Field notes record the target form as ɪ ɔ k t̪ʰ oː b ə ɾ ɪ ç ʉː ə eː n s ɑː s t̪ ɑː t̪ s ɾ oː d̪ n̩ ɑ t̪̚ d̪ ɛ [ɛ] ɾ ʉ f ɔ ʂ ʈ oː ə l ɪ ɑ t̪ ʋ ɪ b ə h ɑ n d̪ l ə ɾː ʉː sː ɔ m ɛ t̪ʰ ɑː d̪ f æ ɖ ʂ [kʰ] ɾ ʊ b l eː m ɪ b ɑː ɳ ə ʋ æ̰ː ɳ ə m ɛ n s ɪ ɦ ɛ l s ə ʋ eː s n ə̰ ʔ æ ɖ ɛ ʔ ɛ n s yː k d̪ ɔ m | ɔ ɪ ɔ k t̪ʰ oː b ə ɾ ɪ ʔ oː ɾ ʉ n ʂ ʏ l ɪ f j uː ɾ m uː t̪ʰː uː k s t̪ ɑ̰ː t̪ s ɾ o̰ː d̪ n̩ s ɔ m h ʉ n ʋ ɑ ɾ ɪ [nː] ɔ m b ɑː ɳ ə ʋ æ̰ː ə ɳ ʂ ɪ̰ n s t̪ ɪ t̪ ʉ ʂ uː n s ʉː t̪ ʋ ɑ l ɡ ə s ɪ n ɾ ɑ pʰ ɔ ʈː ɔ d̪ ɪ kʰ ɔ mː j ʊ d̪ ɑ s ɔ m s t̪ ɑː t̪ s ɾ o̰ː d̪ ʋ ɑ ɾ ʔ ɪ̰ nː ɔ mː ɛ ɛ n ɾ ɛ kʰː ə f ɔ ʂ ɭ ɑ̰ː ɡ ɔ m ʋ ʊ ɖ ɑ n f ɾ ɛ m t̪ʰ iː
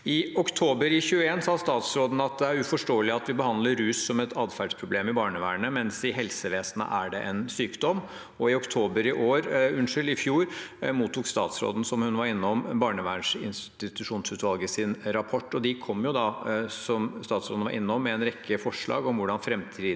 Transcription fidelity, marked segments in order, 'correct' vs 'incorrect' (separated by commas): incorrect, incorrect, correct